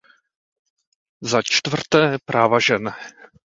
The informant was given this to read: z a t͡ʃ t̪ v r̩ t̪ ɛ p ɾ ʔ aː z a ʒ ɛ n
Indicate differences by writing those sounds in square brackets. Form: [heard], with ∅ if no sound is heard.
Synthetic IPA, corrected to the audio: z a t͡ʃ t̪ v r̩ t̪ [ɛː] p ɾ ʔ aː [v] a ʒ ɛ n